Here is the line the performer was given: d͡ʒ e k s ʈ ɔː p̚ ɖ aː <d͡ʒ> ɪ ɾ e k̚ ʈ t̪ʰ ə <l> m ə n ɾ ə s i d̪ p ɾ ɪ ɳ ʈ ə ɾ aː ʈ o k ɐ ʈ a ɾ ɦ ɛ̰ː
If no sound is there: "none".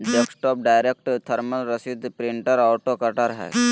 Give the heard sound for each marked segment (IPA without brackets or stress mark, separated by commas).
none, ɾ